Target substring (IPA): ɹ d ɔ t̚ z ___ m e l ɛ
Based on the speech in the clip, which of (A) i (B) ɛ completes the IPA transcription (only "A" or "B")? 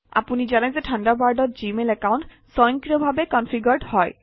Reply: A